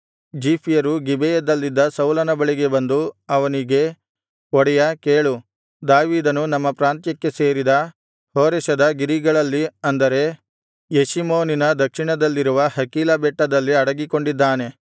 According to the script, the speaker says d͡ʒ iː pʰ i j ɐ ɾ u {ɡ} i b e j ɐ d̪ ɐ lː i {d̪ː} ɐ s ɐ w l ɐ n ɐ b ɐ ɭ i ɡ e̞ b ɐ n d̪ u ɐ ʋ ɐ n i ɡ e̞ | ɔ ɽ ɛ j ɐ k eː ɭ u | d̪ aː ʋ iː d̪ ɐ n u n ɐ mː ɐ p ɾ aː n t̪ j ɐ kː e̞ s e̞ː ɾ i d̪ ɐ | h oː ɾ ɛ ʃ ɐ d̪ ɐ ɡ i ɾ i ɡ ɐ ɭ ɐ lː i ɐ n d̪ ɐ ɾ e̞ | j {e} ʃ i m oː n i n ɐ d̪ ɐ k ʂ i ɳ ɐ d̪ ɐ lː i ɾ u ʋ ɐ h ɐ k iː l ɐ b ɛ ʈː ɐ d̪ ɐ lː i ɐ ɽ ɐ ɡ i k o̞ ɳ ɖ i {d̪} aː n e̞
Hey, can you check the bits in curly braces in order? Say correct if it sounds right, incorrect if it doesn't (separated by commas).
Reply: correct, correct, correct, incorrect